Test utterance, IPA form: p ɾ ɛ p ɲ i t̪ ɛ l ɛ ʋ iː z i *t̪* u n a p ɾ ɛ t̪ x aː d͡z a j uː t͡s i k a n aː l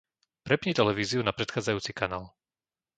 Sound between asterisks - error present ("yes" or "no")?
yes